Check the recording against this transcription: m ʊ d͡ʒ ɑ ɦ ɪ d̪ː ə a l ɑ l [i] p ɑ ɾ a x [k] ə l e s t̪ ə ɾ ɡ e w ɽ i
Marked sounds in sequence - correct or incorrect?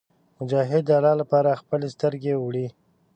incorrect, incorrect

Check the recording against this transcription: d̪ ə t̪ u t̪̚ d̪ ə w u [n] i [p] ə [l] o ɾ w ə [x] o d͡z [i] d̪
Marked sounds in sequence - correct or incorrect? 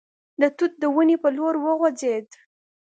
correct, correct, correct, incorrect, incorrect

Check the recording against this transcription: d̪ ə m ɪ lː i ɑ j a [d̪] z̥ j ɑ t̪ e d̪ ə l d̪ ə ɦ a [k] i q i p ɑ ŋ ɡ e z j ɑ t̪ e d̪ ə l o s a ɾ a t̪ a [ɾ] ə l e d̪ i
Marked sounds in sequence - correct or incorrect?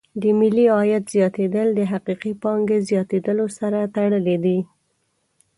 incorrect, incorrect, incorrect

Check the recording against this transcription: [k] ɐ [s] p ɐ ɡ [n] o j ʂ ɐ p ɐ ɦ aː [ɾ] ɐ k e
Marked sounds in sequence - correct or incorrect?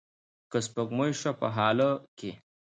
correct, correct, incorrect, incorrect

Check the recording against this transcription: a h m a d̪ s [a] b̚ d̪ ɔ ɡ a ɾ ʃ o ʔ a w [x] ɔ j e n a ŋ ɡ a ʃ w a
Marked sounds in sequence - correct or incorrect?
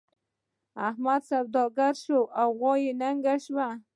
correct, incorrect

